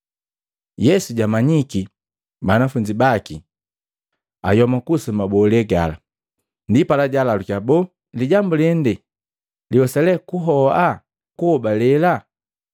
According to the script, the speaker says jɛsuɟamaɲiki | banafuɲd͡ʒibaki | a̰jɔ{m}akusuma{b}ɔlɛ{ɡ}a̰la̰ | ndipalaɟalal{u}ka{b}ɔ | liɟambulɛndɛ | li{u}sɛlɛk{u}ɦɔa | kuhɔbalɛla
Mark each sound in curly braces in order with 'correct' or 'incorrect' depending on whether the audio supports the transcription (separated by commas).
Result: correct, correct, correct, correct, correct, incorrect, correct